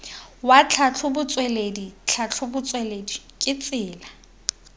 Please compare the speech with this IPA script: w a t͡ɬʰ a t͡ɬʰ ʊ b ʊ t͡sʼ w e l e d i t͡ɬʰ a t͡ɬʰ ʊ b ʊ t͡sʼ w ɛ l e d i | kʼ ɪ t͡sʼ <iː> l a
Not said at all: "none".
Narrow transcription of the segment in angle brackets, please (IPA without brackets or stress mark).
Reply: ɪː